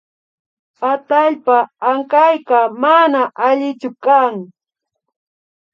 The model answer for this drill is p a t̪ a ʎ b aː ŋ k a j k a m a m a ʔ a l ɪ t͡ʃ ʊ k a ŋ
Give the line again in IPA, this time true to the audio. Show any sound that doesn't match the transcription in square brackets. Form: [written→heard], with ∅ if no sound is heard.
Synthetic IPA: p a t̪ a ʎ [b→p] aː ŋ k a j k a m a [m→n] a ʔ a [l→ʎ] ɪ t͡ʃ ʊ k a ŋ